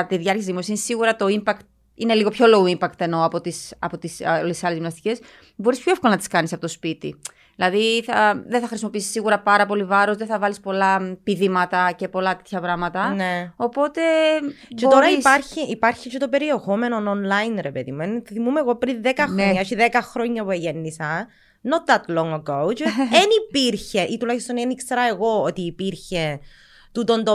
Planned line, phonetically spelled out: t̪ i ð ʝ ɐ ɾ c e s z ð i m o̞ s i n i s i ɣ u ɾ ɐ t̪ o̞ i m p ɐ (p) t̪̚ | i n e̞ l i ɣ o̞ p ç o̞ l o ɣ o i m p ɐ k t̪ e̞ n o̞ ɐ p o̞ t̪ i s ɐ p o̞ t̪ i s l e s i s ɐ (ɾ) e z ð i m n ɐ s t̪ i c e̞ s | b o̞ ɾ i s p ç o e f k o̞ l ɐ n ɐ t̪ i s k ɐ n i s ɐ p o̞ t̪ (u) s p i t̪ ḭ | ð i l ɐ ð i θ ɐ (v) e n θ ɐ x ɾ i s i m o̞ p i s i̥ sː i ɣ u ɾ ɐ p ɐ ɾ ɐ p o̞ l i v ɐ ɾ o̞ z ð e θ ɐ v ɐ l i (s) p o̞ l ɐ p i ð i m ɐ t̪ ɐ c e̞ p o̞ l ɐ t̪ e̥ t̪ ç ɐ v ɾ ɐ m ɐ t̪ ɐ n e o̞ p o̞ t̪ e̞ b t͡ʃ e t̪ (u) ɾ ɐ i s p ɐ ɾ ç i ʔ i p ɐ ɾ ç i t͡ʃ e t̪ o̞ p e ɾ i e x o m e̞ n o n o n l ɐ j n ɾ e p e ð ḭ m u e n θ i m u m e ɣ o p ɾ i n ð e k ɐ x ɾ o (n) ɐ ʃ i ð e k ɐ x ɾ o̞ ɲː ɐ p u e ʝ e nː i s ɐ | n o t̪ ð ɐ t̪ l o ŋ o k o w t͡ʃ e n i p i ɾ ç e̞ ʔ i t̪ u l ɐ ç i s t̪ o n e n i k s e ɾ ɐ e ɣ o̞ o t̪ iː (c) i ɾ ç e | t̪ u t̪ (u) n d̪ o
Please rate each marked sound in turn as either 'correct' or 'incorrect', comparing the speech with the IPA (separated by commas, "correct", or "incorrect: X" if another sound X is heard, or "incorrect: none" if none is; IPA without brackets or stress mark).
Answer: incorrect: k, incorrect: l, incorrect: o, incorrect: ð, correct, incorrect: o, incorrect: ɲ, incorrect: p, incorrect: o